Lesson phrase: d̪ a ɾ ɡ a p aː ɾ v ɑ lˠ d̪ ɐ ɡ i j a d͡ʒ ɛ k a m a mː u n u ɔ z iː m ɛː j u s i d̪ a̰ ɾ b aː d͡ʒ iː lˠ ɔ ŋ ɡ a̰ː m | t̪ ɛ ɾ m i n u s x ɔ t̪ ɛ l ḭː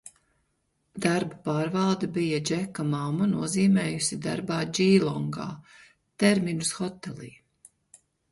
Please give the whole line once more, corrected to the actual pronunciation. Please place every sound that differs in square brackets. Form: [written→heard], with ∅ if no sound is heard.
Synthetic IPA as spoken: d̪ a ɾ [ɡ→b] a p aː ɾ v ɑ lˠ d̪ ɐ [ɡ→b] i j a d͡ʒ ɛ k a m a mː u n u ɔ z iː m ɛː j u s i d̪ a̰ ɾ b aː d͡ʒ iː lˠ ɔ ŋ ɡ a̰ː [m→∅] | t̪ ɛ ɾ m i n u s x ɔ t̪ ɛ l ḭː